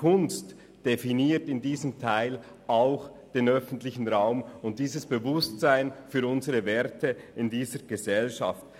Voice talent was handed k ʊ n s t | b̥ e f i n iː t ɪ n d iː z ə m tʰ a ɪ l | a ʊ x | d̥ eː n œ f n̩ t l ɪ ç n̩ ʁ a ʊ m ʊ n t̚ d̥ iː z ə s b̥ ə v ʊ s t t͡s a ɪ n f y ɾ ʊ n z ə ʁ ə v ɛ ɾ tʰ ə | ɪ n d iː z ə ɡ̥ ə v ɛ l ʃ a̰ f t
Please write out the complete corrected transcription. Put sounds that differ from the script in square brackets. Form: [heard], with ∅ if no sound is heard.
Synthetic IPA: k ʊ n s t | [d̥] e f i n iː t ɪ n d iː z ə m tʰ a ɪ l | a ʊ x | d̥ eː n œ f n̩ t l ɪ ç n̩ ʁ a ʊ m ʊ n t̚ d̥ iː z ə s b̥ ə v ʊ s t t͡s a ɪ n f [yː] ɾ ʊ n z ə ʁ ə v ɛ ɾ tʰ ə | ɪ n d iː z ə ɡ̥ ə [z] ɛ l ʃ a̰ f t